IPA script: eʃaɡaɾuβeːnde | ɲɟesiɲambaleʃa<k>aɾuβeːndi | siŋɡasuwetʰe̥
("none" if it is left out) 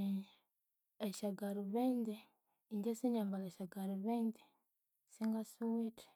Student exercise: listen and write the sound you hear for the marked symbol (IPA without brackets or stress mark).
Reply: ɡ